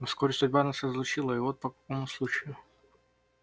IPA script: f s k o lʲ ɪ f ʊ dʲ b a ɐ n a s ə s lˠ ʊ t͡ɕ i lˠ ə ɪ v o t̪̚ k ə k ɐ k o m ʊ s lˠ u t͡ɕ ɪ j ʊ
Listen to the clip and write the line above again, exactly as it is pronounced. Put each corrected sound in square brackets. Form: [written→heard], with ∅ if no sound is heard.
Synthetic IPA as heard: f s k o [lʲ→ɾʲ] ɪ [f→s] ʊ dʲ b a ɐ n a s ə [s→z] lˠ ʊ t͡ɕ i lˠ ə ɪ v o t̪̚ [k→p] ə k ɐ k o m ʊ s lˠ u t͡ɕ ɪ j ʊ

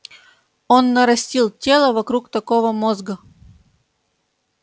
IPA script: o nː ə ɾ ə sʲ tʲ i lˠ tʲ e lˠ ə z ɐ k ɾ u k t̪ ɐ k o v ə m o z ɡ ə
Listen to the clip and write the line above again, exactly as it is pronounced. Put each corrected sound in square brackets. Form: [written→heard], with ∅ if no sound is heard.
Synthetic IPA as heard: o nː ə ɾ [ə→ɐ] sʲ tʲ i lˠ tʲ e lˠ ə [z→v] ɐ k ɾ u k t̪ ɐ k o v ə m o z ɡ ə

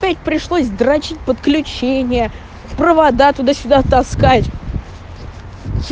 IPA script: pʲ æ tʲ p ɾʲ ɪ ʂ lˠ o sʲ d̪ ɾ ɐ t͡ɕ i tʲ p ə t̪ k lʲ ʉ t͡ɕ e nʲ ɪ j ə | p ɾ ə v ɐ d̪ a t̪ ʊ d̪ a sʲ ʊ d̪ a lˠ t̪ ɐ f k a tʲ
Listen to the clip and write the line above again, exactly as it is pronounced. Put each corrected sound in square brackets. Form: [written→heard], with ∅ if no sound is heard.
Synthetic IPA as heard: pʲ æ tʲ p ɾʲ ɪ ʂ lˠ o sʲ d̪ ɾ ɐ t͡ɕ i tʲ p ə t̪ k lʲ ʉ t͡ɕ e nʲ ɪ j ə | p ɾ ə v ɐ d̪ a t̪ ʊ d̪ a sʲ ʊ d̪ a [lˠ→∅] t̪ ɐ [f→s] k a tʲ

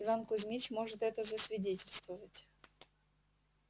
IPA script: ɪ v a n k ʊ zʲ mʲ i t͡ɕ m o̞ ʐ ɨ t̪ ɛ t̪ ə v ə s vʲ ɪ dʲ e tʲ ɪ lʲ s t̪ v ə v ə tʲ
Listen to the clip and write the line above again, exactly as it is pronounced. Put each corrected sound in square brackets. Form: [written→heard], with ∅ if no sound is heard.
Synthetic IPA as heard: ɪ v a n k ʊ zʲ mʲ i t͡ɕ m o̞ ʐ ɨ t̪ ɛ t̪ ə [v→z] ə s vʲ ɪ dʲ e tʲ ɪ lʲ s t̪ v ə v ə tʲ

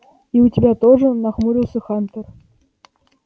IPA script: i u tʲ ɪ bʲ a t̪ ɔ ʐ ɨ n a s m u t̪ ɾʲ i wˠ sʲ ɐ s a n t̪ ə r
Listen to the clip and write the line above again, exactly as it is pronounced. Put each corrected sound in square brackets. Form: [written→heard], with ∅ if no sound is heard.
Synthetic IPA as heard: i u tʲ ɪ bʲ a t̪ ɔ ʐ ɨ n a [s→x] m u [t̪→∅] ɾʲ i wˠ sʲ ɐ [s→x] a n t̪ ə r

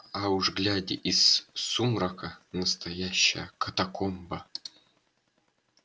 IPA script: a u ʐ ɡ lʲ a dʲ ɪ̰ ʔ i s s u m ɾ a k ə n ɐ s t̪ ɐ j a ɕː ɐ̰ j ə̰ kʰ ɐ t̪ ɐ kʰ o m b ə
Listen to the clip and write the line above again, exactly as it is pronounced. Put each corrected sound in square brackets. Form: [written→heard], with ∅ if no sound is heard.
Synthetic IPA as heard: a u ʐ ɡ lʲ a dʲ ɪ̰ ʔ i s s u m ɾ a k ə n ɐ s t̪ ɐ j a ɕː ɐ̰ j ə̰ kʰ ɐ t̪ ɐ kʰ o m b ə

